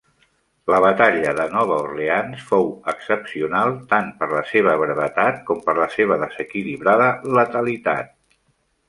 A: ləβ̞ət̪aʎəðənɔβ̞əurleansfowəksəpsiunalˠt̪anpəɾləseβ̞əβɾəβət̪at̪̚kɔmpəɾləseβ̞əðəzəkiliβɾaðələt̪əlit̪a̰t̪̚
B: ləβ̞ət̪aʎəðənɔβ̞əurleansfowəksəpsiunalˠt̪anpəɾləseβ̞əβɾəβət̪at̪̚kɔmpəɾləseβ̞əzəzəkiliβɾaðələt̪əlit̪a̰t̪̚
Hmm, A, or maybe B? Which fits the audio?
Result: A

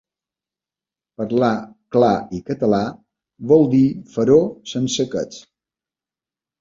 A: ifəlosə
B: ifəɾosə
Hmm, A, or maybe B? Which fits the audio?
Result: B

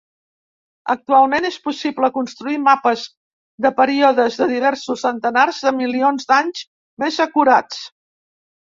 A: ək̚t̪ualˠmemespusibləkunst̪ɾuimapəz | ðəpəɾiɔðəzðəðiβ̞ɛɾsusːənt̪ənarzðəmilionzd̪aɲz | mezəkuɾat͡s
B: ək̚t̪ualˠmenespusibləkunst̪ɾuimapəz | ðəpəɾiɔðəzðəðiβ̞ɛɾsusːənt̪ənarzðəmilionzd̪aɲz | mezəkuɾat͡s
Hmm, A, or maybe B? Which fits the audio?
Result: B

